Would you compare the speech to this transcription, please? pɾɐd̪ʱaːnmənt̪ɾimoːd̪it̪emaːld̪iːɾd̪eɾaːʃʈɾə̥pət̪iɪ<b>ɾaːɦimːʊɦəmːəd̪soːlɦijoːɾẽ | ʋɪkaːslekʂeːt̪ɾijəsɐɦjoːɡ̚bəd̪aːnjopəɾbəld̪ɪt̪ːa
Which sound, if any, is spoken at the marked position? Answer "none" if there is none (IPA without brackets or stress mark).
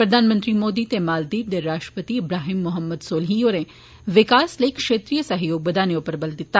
b